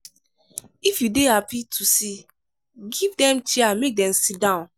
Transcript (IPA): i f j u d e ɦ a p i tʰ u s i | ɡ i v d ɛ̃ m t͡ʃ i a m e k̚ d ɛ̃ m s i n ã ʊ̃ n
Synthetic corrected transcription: i f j u d e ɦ a p i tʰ u s i | ɡ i v d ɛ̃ m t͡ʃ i a m e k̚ d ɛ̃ m s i d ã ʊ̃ n